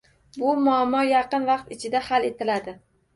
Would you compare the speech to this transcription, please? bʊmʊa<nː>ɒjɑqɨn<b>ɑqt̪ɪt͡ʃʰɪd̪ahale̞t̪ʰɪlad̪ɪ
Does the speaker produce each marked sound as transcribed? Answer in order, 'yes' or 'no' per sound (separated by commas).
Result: no, no